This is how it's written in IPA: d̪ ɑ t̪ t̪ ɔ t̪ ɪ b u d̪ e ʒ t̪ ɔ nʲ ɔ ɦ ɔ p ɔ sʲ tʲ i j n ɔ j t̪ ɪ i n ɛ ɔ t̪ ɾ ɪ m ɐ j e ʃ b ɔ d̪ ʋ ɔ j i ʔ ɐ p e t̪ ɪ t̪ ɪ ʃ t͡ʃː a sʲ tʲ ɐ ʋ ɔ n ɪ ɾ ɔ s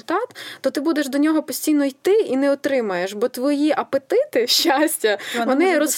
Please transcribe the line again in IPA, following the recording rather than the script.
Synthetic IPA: t̪ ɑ t̪ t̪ ɔ t̪ ɪ b u d̪ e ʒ d̪ ɔ nʲ ɔ ɦ ɔ p ɔ sʲ tʲ i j n ɔ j t̪ ɪ i n ɛ ɔ t̪ ɾ ɪ m ɐ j e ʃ b ɔ t̪ ʋ ɔ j i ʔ ɐ p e t̪ ɪ t̪ ɪ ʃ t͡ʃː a sʲ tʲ ɐ ʋ ɔ n ɪ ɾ ɔ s